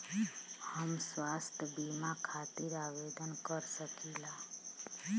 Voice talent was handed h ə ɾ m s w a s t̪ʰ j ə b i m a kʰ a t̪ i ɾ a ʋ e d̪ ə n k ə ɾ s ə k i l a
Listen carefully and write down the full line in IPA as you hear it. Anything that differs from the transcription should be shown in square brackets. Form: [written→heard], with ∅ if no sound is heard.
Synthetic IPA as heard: h ə [ɾ→∅] m s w a s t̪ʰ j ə b i m a kʰ a t̪ i ɾ a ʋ e d̪ ə n k ə ɾ s ə k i l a